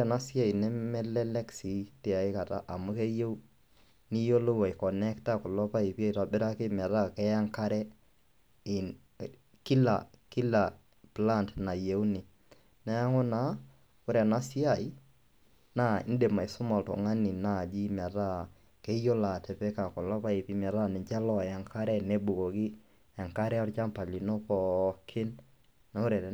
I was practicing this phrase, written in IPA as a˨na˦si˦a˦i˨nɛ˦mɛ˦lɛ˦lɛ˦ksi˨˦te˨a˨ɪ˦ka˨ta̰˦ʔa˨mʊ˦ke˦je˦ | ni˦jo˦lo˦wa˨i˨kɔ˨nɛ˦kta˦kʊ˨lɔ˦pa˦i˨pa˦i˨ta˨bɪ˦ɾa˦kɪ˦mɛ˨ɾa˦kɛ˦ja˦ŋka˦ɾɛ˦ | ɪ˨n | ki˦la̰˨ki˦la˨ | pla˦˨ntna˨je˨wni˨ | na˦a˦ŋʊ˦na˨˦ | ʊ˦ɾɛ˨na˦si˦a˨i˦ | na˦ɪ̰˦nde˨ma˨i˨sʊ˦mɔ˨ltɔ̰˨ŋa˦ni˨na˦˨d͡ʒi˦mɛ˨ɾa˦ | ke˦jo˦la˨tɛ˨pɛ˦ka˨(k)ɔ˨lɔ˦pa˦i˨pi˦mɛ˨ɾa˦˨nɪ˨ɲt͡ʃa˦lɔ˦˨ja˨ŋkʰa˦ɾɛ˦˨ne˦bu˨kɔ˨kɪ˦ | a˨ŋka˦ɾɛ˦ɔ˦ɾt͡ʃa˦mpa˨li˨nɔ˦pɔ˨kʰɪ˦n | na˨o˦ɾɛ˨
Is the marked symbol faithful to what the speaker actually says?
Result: yes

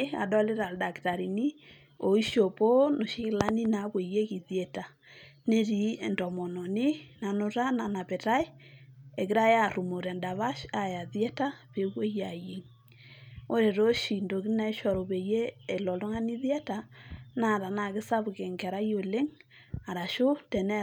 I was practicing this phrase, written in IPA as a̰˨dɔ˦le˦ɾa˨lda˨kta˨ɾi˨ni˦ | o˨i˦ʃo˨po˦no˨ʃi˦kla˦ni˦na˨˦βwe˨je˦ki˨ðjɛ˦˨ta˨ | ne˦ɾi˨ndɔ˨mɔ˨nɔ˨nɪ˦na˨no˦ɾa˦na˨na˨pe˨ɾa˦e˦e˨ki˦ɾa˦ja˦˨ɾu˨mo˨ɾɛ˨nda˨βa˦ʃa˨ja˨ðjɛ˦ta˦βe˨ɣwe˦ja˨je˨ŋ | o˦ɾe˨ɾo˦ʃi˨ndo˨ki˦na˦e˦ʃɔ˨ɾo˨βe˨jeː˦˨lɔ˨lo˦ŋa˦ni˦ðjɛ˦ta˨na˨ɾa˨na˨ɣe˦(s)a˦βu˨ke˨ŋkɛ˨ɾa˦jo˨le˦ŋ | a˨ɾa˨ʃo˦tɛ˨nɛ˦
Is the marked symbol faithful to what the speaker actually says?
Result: yes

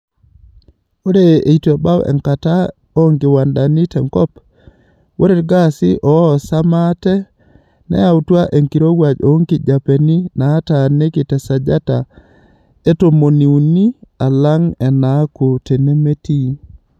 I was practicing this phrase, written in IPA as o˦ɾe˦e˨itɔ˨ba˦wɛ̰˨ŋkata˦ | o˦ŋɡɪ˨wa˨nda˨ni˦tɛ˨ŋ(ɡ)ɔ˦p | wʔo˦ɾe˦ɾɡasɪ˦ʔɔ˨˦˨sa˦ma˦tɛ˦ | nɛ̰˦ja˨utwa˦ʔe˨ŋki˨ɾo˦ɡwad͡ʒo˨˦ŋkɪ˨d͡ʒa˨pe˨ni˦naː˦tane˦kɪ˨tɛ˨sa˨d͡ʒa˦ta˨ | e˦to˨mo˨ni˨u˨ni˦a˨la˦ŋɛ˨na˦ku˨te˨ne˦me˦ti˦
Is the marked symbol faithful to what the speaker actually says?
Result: no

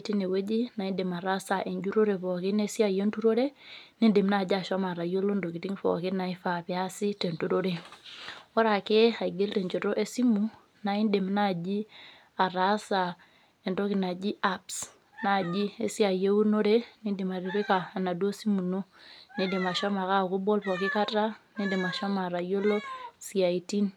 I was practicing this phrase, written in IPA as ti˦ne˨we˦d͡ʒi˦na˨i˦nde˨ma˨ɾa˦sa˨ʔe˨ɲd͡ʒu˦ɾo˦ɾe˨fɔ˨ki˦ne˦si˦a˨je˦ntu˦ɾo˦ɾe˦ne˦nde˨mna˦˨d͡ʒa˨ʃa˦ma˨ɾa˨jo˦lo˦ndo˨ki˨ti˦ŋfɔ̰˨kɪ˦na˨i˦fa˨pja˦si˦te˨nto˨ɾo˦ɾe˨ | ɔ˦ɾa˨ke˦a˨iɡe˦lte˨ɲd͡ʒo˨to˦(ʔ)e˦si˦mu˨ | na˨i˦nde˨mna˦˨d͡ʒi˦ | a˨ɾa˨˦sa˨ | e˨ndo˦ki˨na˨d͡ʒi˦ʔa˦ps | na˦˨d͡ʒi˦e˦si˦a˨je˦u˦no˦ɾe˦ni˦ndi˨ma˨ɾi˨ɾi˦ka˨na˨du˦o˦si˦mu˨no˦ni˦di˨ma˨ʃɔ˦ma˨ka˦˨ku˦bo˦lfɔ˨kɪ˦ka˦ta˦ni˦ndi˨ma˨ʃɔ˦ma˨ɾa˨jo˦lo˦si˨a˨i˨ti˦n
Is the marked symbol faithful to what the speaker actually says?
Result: yes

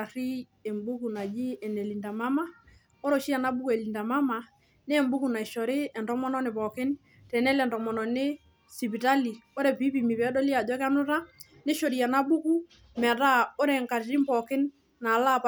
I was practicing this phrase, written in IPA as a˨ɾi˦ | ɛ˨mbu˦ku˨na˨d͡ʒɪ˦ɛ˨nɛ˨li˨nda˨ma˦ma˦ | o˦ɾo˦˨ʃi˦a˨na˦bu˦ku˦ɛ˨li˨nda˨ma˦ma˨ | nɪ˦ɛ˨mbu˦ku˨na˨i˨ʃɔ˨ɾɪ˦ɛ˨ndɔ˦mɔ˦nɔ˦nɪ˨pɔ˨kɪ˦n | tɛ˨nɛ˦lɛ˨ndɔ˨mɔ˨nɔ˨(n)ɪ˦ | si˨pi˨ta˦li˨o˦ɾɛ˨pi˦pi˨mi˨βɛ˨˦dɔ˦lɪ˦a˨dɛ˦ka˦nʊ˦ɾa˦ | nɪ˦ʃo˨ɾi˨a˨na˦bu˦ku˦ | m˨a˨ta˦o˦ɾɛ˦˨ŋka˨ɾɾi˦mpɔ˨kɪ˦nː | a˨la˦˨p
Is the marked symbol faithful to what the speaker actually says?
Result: yes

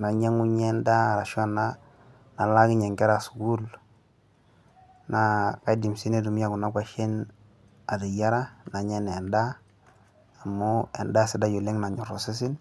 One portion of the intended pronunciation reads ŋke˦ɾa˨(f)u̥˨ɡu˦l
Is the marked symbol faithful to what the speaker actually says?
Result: no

